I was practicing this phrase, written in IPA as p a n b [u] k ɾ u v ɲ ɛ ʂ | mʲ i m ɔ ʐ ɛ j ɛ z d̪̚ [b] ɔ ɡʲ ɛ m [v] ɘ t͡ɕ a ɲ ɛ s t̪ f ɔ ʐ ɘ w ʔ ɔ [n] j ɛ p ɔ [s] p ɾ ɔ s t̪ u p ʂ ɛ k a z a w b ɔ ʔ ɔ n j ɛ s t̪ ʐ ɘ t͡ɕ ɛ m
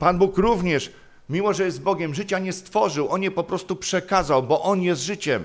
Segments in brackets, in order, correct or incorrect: correct, correct, incorrect: ʐ, correct, incorrect: none

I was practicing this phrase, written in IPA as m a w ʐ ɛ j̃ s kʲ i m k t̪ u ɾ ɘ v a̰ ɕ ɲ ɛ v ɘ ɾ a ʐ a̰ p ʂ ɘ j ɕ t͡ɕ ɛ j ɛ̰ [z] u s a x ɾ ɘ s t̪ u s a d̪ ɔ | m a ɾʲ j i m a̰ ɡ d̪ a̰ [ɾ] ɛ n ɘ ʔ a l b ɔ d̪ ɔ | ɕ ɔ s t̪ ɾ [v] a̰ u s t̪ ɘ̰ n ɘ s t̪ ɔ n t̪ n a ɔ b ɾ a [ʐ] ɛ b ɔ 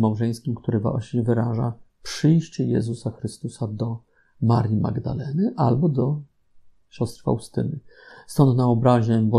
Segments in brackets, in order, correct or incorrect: correct, incorrect: l, incorrect: f, incorrect: ʑ

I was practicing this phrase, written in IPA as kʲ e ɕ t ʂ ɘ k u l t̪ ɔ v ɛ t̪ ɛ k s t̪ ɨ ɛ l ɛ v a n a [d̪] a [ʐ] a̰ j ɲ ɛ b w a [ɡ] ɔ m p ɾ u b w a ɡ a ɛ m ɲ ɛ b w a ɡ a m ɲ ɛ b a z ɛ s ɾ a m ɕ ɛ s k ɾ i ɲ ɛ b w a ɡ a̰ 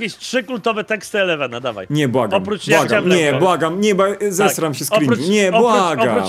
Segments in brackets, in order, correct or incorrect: correct, incorrect: v, correct

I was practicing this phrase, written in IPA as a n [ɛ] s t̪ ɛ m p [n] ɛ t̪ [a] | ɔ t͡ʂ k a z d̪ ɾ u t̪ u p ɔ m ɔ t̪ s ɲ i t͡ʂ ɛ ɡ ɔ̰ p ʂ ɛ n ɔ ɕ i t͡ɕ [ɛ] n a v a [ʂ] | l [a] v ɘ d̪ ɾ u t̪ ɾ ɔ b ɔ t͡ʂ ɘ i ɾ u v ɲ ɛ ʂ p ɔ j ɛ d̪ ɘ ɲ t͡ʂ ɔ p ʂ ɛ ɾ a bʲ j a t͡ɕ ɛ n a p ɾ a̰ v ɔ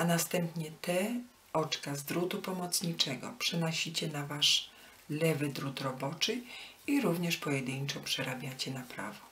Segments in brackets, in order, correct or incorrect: incorrect: a, incorrect: ɲ, incorrect: ɛ, correct, correct, incorrect: ɛ

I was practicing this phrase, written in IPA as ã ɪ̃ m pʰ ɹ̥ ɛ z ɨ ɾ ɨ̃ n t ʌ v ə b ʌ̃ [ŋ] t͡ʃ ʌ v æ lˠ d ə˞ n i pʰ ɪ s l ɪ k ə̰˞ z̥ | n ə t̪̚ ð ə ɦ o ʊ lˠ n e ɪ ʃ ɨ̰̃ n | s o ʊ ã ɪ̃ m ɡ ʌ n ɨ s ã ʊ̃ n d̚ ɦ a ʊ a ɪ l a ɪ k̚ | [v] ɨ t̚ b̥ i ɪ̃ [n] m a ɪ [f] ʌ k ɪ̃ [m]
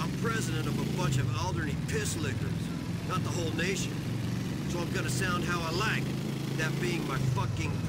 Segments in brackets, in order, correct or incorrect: incorrect: n, incorrect: ð, incorrect: ŋ, correct, incorrect: ŋ

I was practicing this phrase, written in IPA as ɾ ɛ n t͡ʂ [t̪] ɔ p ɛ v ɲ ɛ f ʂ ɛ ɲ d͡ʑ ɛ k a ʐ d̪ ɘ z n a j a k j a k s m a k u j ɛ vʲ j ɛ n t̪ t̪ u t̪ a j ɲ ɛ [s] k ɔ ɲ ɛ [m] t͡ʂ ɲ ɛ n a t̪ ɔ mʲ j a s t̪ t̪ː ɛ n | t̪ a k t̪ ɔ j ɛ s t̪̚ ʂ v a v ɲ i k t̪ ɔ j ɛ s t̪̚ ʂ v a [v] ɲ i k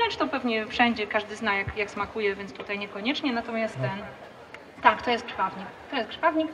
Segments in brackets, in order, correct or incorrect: correct, incorrect: none, incorrect: none, correct

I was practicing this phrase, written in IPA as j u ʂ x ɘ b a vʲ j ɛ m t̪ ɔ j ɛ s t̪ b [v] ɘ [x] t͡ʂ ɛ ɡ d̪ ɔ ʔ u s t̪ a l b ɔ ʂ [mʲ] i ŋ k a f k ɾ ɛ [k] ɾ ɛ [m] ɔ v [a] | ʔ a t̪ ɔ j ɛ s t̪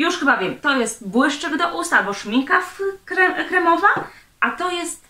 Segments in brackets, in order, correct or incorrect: incorrect: w, incorrect: ʂ, correct, correct, correct, correct

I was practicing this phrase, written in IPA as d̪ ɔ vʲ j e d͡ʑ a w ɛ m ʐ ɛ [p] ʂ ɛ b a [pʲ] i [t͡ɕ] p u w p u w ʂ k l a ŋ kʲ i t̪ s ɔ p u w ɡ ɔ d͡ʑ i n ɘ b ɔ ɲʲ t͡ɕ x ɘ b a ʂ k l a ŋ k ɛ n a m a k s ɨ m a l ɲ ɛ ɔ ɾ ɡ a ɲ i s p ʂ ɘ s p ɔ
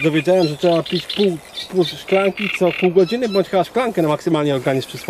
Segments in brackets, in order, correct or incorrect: incorrect: t, correct, correct

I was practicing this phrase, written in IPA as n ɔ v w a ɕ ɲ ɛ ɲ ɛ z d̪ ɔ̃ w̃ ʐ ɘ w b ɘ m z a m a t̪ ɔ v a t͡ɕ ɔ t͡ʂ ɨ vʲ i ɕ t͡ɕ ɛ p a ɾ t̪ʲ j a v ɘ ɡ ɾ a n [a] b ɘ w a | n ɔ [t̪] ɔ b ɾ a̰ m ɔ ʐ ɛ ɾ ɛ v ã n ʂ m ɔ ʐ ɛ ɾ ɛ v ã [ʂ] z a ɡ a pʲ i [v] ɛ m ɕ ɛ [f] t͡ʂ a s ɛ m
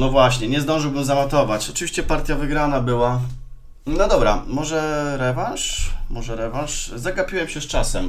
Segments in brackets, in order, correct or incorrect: correct, incorrect: d̪, correct, incorrect: w, incorrect: s

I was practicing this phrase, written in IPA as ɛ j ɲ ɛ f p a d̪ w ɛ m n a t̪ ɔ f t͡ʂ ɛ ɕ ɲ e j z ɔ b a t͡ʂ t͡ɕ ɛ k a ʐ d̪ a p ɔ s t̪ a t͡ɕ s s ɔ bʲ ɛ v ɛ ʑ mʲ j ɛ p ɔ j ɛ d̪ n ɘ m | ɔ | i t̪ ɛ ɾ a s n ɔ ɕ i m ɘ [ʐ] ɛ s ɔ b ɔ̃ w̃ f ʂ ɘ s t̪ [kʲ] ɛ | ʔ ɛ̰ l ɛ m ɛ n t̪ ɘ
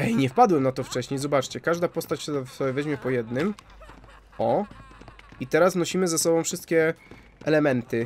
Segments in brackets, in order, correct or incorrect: incorrect: z, correct

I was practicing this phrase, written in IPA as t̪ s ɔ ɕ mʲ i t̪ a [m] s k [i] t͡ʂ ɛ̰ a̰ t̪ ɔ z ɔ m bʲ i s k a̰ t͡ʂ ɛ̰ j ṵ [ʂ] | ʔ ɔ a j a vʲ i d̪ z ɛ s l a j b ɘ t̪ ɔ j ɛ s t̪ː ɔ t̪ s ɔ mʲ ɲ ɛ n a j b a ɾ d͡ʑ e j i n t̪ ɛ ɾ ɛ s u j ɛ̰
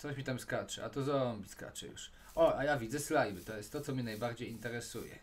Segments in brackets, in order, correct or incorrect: correct, incorrect: a, correct

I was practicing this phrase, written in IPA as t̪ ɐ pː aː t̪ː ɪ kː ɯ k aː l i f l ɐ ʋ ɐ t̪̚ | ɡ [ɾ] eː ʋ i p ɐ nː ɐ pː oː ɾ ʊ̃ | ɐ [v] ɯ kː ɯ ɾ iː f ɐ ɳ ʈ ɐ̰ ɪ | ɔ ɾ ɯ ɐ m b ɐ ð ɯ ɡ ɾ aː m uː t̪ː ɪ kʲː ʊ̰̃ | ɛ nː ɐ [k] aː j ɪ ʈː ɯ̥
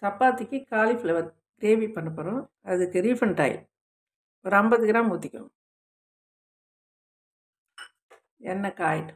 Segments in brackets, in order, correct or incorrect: correct, incorrect: ð, correct

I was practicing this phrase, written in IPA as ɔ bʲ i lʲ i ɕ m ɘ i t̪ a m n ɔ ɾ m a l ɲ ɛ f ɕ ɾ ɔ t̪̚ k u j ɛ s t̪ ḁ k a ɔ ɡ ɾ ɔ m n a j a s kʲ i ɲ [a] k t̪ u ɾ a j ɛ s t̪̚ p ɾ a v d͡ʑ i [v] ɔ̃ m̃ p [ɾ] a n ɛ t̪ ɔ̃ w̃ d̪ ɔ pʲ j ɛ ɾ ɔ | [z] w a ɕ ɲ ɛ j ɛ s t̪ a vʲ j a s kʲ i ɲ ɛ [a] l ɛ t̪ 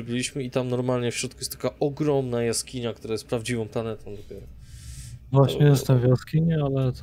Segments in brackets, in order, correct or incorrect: correct, correct, incorrect: l, incorrect: v, correct

